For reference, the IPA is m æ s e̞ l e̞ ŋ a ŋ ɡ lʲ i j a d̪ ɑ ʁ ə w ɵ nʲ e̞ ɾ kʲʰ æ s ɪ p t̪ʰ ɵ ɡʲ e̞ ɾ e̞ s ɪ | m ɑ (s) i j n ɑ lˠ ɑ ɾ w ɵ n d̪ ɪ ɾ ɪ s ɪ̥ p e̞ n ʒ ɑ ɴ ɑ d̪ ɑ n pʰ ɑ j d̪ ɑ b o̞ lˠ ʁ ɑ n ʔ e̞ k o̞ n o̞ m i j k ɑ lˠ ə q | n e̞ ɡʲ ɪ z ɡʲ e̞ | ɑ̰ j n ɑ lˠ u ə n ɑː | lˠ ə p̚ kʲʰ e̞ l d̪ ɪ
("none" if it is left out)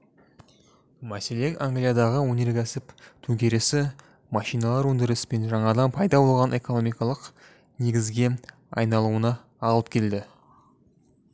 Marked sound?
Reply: ʃ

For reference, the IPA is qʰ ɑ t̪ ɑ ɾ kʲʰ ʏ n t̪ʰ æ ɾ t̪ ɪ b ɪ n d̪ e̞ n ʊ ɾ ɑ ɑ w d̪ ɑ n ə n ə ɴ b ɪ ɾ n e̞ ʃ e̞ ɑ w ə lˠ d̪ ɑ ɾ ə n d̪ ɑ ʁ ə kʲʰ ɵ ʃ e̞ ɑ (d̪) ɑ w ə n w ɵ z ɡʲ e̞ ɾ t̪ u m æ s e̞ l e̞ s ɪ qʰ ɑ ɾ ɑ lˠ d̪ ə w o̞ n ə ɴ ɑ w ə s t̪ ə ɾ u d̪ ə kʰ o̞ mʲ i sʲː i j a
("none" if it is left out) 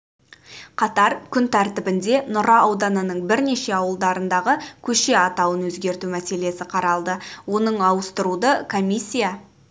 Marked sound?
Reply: t̪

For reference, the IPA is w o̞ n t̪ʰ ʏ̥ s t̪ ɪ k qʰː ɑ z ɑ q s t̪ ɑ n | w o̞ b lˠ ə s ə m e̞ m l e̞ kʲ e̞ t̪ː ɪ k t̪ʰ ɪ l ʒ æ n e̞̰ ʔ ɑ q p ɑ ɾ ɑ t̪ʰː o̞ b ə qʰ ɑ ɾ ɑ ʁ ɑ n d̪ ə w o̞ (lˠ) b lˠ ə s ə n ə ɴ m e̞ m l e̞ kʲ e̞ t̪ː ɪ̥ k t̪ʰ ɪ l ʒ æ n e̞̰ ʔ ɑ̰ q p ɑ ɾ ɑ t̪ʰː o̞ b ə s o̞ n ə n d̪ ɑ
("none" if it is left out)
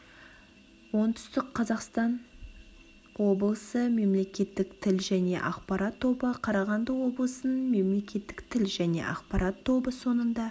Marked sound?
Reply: none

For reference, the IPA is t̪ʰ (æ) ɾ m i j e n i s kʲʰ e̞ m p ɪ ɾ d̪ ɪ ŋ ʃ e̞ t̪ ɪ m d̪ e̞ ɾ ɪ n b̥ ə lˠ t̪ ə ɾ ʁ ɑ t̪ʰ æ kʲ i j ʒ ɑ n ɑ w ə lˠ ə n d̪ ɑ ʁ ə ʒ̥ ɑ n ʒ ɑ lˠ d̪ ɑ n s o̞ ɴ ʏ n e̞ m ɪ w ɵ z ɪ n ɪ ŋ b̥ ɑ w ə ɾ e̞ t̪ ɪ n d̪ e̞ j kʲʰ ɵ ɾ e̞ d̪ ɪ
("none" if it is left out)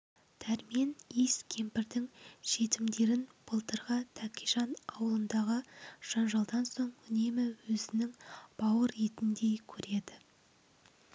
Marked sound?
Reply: æ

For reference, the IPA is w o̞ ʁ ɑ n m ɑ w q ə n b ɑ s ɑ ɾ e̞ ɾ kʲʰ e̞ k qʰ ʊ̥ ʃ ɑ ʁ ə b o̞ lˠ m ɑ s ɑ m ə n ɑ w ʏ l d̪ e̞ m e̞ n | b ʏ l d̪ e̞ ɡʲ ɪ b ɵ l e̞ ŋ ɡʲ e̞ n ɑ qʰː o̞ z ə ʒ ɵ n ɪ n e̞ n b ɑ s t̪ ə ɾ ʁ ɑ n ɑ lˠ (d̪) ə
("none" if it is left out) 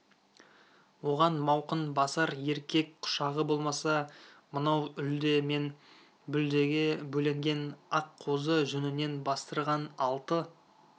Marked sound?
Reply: t̪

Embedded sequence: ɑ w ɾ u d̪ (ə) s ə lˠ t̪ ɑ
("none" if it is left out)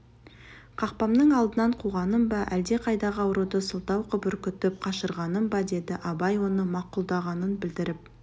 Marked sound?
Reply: ə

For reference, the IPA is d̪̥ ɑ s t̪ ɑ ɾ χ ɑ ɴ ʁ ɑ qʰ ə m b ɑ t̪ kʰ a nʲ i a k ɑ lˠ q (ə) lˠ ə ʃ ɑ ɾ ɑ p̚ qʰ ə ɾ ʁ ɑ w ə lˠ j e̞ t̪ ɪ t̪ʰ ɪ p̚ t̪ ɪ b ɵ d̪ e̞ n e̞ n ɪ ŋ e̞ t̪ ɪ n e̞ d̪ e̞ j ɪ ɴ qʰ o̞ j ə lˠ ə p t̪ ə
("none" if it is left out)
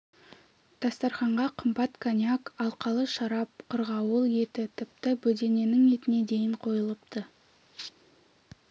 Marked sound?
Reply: ɑ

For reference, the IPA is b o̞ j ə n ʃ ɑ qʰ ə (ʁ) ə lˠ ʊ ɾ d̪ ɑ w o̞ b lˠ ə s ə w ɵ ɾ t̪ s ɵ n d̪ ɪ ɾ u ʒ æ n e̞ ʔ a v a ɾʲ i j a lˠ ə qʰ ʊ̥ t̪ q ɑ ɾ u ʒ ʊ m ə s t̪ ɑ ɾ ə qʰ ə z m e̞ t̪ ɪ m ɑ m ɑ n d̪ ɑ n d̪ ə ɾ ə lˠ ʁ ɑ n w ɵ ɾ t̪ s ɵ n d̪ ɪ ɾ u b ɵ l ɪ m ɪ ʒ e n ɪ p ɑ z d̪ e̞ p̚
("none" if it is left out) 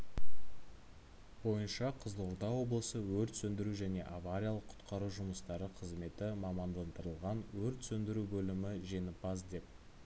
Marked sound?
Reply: z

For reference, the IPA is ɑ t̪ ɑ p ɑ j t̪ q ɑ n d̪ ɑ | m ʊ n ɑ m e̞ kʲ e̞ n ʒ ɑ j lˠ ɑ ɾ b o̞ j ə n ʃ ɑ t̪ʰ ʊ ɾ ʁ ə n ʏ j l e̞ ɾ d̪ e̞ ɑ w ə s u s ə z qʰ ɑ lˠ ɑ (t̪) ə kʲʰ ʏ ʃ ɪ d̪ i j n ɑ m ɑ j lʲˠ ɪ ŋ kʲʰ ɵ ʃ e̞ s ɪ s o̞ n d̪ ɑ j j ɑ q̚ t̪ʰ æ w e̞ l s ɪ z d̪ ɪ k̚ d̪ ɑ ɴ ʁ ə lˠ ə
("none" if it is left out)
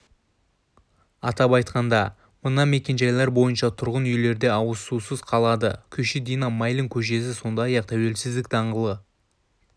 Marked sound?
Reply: d̪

